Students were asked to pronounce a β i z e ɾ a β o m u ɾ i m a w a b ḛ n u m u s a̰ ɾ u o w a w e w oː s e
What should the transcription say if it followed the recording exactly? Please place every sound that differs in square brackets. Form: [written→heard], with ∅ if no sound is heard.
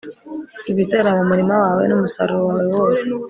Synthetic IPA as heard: [a→i] β i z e ɾ a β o m u ɾ i m a w a [b→w] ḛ n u m u s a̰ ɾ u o w a w e w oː s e